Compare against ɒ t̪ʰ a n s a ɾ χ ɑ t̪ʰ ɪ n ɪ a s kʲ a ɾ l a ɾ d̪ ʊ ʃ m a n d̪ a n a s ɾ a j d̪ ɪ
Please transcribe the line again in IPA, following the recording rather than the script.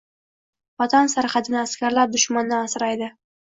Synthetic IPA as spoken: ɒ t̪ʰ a n s a ɾ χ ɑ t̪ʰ ɪ n ɪ a s kʲ a ɾ l a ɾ d̪ ʊ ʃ m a n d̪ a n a s ɾ a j d̪ ɪ